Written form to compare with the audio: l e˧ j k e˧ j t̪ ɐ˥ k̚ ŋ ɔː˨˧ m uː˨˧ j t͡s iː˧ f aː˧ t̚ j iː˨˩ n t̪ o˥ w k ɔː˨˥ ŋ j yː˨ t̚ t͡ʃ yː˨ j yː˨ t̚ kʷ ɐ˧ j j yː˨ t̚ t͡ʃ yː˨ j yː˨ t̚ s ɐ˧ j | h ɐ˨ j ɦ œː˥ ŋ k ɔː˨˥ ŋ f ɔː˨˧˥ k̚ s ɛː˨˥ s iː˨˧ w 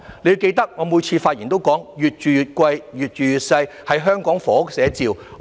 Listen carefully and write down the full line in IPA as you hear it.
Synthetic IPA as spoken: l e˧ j k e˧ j t̪ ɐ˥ k̚ ŋ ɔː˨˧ m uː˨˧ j t͡sʰ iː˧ f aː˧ t̚ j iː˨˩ n t̪ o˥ w k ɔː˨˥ ŋ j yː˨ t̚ t͡ʃ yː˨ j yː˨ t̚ kʷ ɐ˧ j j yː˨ t̚ t͡ʃ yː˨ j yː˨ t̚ s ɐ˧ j | h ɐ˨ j ɦ œː˥ ŋ k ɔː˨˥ ŋ f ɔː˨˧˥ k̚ s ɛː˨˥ t͡s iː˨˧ w

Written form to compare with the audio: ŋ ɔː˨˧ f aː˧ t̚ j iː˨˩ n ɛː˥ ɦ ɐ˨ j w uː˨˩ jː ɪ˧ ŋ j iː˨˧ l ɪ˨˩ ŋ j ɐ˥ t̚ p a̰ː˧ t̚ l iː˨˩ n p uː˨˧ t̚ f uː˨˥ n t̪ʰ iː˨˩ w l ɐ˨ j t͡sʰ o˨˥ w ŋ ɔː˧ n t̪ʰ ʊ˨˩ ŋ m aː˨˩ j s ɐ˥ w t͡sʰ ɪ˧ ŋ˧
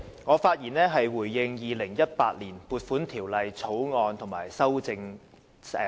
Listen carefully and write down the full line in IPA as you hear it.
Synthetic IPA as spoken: ŋ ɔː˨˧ f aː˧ t̚ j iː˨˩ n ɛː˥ ɦ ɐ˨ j w uː˨˩ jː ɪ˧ ŋ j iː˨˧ l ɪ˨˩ ŋ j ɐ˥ t̚ p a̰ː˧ t̚ l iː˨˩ n p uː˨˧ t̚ f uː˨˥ n t̪ʰ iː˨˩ w l ɐ˨ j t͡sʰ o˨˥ w ŋ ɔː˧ n t̪ʰ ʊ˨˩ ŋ m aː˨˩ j s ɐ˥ w t͡s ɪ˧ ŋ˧

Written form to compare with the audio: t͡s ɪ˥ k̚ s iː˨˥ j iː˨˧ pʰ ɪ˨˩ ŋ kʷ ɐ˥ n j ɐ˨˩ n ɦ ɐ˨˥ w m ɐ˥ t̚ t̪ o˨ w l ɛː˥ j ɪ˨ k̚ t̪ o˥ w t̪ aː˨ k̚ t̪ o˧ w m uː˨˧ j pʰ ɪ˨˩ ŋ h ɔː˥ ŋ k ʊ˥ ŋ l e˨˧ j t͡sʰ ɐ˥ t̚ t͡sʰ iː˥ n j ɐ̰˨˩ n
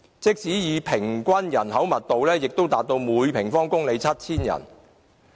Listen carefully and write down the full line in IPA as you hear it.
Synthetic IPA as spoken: t͡s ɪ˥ k̚ s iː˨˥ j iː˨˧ pʰ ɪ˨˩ ŋ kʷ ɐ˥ n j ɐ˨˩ n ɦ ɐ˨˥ w m ɐ˨ t̚ t̪ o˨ w l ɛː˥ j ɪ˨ k̚ t̪ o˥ w t̪ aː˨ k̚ t̪ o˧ w m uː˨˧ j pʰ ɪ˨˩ ŋ f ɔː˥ ŋ k ʊ˥ ŋ l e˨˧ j t͡sʰ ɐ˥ t̚ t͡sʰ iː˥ n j ɐ̰˨˩ n

